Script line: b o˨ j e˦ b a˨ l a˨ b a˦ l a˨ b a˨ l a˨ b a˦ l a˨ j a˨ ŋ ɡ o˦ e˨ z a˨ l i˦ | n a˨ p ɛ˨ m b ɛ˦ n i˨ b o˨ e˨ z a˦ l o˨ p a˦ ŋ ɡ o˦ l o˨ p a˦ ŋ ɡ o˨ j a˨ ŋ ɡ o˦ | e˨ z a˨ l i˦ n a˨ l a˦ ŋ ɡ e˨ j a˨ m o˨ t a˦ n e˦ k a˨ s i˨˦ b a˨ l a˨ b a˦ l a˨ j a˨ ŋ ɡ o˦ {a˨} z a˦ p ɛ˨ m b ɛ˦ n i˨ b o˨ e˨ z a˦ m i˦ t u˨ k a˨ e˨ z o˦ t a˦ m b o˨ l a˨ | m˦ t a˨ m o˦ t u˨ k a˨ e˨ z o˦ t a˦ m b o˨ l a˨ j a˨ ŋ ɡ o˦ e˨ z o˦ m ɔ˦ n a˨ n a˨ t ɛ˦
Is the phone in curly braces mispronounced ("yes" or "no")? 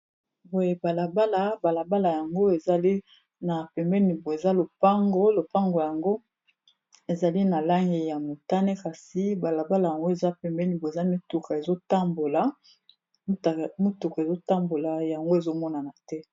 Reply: yes